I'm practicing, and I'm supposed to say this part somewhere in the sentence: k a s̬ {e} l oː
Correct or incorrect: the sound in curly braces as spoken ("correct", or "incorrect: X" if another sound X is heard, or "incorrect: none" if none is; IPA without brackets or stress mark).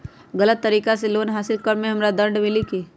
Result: correct